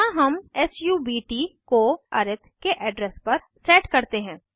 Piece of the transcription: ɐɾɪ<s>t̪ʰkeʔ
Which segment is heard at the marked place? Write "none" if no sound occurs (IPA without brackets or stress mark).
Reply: none